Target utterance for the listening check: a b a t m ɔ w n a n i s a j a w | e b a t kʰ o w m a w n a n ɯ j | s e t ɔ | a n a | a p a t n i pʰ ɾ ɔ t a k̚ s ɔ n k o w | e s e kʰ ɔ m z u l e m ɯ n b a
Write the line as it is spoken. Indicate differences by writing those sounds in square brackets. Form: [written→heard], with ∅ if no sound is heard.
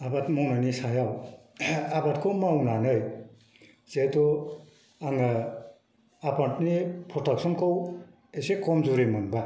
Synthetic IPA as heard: a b a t m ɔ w n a n i s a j a w | [e→a] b a t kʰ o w m a w n a n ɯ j | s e t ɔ | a [n→ŋ] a | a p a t n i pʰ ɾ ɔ t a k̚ s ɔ n k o w | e s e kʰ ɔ m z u [l→ɾ] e m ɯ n b a